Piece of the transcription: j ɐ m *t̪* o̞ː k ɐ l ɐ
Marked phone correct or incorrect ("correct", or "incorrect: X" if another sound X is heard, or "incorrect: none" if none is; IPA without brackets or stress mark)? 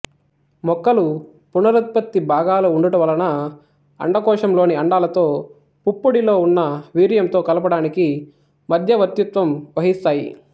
correct